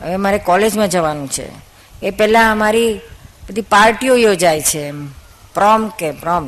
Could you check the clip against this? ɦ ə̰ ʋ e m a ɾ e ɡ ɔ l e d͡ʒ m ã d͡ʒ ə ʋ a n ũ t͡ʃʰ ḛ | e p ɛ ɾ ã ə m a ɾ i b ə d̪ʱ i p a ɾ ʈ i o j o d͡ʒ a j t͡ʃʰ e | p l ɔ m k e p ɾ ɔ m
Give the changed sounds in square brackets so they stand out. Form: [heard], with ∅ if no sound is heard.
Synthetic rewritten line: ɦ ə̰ ʋ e m a ɾ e [k] ɔ l e d͡ʒ m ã d͡ʒ ə ʋ a n ũ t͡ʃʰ ḛ | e p ɛ [l] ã ə m a ɾ i b ə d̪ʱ i p a ɾ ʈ i o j o d͡ʒ a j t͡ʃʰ e | p [ɾ] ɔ m k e p ɾ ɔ m